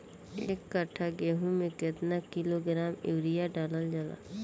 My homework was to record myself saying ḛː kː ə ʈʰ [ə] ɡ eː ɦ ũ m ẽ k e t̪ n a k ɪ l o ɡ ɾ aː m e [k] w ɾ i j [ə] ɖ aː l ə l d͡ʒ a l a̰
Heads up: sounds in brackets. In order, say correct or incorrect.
incorrect: a, incorrect: none, incorrect: a

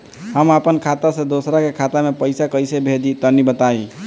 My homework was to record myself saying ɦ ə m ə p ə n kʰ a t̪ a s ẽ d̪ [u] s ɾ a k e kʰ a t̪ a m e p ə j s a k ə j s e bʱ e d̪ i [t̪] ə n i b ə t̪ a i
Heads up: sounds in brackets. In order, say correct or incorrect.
incorrect: o, correct

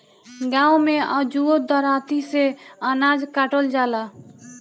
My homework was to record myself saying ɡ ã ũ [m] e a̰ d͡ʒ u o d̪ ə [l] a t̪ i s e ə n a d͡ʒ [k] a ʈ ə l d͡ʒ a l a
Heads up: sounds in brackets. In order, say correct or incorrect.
correct, incorrect: ɾ, correct

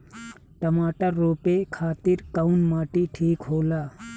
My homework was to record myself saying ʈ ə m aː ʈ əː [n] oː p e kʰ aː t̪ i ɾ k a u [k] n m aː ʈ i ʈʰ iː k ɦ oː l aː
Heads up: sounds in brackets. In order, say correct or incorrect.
incorrect: none, incorrect: none

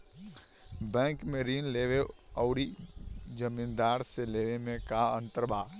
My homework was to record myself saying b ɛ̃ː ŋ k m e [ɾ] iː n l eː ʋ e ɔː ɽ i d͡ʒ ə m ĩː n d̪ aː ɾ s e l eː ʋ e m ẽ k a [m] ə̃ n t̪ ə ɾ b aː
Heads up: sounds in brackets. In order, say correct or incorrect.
correct, incorrect: none

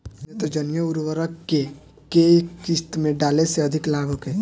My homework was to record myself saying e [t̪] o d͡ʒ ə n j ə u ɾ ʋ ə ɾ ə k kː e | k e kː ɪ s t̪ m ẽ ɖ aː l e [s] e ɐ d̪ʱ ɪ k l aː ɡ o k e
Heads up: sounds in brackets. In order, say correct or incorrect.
correct, correct

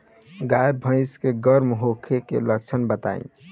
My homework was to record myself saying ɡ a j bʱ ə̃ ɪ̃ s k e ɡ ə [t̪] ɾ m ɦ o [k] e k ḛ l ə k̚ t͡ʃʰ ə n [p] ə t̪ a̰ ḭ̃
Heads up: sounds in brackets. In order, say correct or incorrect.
incorrect: none, incorrect: kʰ, incorrect: b

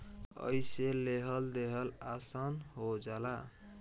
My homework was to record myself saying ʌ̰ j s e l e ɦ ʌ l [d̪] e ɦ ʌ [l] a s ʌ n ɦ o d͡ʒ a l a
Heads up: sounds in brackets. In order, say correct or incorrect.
correct, correct

